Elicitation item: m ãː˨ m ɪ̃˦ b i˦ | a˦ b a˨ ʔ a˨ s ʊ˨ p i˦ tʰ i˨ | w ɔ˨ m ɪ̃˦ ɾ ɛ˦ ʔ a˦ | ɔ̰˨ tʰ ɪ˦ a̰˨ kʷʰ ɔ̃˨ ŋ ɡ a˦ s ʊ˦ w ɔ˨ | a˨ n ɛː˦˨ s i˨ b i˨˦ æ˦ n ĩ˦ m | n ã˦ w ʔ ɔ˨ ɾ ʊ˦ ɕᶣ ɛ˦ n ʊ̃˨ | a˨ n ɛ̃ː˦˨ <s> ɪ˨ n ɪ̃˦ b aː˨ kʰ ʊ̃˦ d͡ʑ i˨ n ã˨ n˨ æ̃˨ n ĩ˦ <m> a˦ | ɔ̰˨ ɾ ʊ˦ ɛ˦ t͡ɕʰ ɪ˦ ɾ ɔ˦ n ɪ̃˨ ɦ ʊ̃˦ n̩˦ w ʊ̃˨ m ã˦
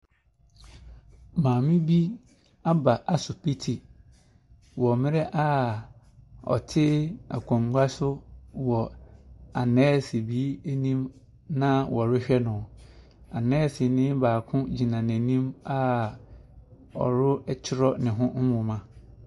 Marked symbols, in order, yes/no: yes, yes

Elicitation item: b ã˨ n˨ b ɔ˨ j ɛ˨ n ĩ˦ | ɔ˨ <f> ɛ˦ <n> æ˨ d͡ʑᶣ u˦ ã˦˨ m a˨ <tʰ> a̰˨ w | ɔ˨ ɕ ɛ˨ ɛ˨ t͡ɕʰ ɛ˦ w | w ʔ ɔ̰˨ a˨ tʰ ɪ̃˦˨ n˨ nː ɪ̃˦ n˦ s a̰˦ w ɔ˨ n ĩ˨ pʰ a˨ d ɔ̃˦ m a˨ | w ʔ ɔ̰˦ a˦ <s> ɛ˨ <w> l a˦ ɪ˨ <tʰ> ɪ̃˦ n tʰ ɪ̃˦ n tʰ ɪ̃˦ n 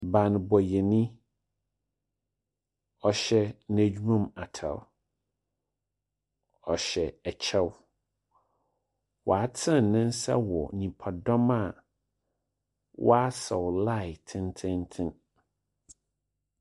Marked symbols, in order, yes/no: no, yes, yes, yes, yes, yes

